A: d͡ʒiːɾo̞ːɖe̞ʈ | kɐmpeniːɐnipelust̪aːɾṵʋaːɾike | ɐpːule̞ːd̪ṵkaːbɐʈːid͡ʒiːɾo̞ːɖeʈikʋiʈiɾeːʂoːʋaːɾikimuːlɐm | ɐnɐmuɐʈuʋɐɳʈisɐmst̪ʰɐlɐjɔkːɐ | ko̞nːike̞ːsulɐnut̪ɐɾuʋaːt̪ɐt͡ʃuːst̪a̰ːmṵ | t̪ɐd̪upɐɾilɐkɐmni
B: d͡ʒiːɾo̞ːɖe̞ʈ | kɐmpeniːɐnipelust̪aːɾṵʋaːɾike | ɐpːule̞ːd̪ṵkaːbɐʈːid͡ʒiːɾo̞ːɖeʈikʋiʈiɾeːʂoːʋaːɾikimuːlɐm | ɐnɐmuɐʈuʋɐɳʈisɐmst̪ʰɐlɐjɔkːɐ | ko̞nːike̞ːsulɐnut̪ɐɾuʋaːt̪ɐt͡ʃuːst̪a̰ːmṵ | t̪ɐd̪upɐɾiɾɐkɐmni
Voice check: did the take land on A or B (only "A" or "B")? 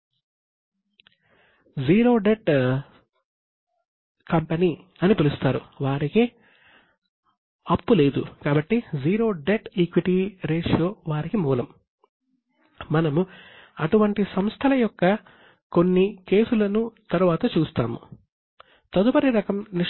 B